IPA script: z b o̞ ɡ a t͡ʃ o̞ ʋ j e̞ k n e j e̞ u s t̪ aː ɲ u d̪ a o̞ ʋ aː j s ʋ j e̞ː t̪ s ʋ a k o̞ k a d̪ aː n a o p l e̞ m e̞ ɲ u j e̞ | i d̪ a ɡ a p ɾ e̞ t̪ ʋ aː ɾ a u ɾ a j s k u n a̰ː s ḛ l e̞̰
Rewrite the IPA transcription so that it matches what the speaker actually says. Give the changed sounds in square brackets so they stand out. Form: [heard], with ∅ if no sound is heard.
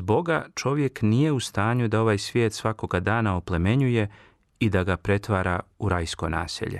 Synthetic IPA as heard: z b o̞ ɡ a t͡ʃ o̞ ʋ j e̞ k n [i] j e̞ u s t̪ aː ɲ u d̪ a o̞ ʋ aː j s ʋ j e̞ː t̪ s ʋ a k o̞ [ɡ] a d̪ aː n a o p l e̞ m e̞ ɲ u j e̞ | i d̪ a ɡ a p ɾ e̞ t̪ ʋ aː ɾ a u ɾ a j s k [o] n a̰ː s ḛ [ʎ] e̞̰